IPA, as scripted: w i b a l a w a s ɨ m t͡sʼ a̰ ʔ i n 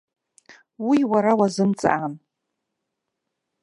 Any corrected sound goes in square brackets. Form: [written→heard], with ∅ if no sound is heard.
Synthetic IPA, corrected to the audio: w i [b→w] a [l→ɾ] a w a [s→z] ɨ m t͡sʼ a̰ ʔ [i→a] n